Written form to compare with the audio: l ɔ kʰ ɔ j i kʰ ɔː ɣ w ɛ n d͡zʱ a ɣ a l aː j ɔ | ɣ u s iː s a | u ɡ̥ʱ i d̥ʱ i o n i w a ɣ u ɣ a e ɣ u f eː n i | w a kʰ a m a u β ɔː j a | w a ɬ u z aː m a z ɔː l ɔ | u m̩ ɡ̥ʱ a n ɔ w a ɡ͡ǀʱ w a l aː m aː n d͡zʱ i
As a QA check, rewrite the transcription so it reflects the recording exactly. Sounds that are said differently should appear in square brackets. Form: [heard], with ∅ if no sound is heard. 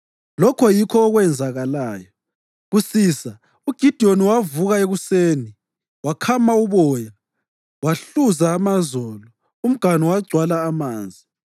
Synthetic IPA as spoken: l ɔ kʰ ɔ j i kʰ ɔː ɣ w ɛ n d͡zʱ a ɣ a l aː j ɔ | ɣ u s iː s a | u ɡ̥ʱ i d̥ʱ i o n i w a [v] u ɣ a e ɣ u [s] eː n i | w a kʰ a m a u β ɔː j a | w a ɬ u z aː m a z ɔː l ɔ | u m̩ ɡ̥ʱ a n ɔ w a ɡ͡ǀʱ w a l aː m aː n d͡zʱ i